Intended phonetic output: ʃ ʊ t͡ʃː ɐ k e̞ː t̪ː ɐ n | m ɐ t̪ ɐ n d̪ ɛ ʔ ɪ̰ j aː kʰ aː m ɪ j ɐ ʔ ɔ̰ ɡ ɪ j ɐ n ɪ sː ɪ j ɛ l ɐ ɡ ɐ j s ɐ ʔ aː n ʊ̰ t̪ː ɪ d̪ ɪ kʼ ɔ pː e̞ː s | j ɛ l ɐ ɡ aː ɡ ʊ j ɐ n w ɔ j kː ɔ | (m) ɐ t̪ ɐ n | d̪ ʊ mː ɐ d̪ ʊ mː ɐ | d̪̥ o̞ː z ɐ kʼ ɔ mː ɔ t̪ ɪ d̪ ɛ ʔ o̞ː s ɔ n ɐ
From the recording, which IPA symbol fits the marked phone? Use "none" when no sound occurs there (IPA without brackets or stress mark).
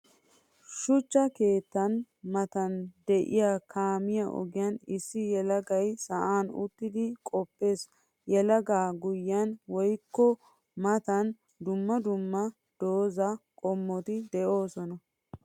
m